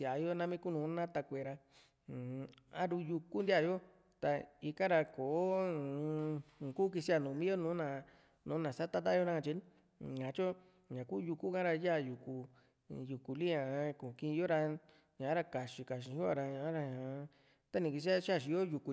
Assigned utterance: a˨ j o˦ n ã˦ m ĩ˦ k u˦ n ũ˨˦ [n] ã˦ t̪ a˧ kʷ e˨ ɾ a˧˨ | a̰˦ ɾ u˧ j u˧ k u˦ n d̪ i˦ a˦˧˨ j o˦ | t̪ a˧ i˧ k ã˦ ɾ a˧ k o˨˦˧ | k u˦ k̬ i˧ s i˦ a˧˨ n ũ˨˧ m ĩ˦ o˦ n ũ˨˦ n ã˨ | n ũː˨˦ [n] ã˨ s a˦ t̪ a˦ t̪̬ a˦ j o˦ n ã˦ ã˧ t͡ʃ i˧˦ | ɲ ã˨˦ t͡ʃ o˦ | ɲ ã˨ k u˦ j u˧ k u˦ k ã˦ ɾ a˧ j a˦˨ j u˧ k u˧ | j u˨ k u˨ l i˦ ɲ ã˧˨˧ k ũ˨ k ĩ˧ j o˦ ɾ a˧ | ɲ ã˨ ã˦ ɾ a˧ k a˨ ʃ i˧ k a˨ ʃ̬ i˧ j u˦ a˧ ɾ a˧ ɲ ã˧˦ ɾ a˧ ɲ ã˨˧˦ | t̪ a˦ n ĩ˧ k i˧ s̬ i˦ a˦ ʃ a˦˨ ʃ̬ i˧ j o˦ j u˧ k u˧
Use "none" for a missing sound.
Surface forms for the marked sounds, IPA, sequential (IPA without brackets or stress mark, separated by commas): n, n